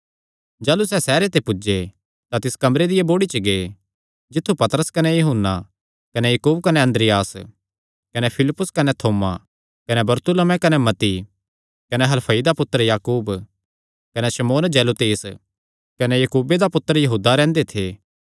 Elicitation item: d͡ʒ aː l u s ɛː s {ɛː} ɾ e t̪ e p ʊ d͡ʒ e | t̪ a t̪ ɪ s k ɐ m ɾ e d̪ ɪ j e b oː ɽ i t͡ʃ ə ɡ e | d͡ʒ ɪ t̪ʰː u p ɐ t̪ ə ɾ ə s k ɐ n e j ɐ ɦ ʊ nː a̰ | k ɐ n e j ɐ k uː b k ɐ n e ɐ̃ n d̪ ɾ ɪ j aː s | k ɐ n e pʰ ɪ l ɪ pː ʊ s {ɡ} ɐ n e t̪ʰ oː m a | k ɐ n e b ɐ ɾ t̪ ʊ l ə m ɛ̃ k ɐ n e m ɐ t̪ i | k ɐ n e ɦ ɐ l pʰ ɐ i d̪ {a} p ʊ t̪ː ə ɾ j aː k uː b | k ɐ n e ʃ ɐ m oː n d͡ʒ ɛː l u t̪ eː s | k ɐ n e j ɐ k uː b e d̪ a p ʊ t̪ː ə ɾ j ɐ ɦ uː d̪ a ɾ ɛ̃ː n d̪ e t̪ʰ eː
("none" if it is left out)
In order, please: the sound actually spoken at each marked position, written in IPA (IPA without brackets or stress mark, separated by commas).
ɛː, k, a